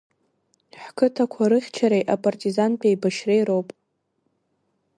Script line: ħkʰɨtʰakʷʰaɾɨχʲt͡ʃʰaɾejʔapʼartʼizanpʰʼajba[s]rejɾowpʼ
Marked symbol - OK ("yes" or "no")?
no